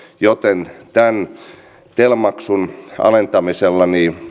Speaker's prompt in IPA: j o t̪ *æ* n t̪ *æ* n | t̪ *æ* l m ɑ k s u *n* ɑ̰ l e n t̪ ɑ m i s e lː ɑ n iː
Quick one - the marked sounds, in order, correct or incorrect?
incorrect: e, correct, incorrect: e, correct

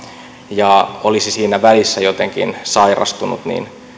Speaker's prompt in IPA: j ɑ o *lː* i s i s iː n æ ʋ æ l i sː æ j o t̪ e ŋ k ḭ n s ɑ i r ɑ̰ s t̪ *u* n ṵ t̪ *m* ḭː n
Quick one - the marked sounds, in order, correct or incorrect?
incorrect: l, correct, incorrect: n

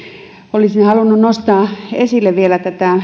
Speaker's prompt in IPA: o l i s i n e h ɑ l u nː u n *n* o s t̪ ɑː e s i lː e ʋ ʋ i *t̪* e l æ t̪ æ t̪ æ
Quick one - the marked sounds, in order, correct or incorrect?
correct, incorrect: none

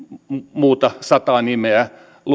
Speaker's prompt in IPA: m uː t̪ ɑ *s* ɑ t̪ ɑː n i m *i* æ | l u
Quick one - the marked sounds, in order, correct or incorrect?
correct, incorrect: e

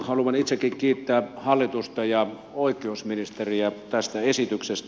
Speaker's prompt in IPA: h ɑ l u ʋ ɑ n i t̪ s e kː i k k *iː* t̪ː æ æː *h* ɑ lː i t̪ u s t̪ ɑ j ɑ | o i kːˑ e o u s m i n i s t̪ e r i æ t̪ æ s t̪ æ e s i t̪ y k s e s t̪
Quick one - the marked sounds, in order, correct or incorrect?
correct, correct

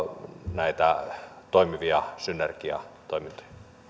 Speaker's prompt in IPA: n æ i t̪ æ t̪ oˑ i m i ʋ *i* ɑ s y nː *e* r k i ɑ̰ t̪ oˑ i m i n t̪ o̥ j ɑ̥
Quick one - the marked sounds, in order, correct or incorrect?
correct, correct

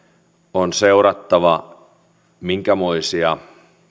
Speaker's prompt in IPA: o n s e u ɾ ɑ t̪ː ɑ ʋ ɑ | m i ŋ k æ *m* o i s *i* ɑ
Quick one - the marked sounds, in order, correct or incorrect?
correct, correct

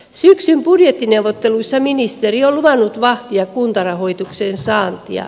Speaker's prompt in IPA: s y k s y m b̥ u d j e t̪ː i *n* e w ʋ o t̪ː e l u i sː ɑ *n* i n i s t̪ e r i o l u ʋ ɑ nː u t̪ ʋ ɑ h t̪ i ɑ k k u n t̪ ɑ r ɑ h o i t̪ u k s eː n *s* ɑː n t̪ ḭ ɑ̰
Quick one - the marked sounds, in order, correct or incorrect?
correct, incorrect: m, correct

